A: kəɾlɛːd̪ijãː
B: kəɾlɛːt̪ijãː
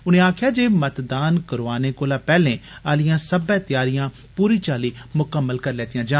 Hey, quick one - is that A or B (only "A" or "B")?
B